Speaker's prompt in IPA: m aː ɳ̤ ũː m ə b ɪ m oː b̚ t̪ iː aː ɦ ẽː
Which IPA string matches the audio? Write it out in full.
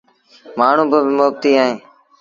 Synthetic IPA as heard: m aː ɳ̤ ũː b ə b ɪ m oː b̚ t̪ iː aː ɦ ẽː